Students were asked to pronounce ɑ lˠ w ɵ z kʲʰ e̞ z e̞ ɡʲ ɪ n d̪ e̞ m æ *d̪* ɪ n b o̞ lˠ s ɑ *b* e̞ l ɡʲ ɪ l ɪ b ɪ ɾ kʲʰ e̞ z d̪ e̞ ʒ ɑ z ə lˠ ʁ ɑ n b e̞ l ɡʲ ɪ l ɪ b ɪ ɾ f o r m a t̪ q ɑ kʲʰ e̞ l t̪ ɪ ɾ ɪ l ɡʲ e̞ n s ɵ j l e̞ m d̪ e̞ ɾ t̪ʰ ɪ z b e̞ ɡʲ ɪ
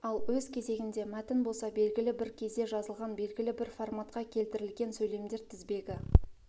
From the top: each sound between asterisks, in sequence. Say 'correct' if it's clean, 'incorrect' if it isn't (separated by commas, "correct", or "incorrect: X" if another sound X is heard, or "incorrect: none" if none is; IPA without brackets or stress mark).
incorrect: t̪, correct